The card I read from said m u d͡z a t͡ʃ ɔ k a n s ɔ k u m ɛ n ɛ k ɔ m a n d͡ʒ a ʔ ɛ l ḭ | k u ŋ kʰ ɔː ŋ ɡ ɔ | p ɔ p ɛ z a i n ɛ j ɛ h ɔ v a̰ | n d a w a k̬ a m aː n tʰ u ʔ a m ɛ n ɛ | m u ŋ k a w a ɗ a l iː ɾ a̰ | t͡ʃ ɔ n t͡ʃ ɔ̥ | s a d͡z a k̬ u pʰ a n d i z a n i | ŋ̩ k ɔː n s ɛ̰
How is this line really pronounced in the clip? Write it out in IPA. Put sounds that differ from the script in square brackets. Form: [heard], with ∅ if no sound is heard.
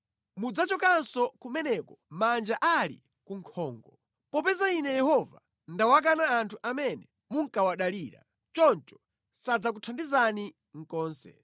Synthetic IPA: m u d͡z a t͡ʃ ɔ k a n s ɔ k u m ɛ n ɛ k ɔ m a n d͡ʒ a ʔ [a] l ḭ | k u ŋ kʰ ɔː ŋ ɡ ɔ | p ɔ p ɛ z a i n ɛ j ɛ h ɔ v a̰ | n d a w a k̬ a [n] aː n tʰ u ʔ a m ɛ n ɛ | m u ŋ k a w a ɗ a l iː ɾ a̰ | t͡ʃ ɔ n t͡ʃ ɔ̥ | s a d͡z a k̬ u [tʰ] a n d i z a n i | ŋ̩ k ɔː n s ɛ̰